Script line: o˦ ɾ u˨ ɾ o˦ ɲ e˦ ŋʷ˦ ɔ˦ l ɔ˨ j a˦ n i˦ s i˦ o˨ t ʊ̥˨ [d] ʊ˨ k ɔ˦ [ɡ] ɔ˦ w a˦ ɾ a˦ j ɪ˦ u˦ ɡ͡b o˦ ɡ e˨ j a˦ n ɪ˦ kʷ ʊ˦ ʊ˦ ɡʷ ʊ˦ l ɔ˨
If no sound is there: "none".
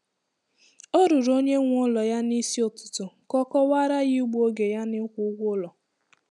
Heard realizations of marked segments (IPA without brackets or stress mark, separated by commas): t, k